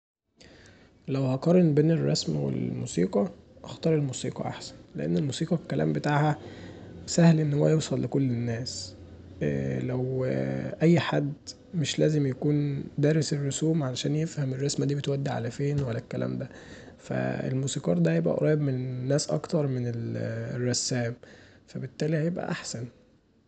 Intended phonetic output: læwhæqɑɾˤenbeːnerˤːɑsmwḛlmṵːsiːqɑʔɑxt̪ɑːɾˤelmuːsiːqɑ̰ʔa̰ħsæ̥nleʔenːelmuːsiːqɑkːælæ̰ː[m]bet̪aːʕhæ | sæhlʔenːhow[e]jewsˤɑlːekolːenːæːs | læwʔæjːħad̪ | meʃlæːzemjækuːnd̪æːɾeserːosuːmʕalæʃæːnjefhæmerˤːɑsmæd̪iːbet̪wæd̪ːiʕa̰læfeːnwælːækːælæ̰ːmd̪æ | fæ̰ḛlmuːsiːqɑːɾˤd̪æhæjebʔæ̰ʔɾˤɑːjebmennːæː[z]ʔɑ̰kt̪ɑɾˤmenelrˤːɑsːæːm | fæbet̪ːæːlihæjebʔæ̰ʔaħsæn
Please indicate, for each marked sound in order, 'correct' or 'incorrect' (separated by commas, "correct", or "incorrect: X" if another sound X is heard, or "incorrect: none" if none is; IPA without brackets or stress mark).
correct, incorrect: æ, incorrect: s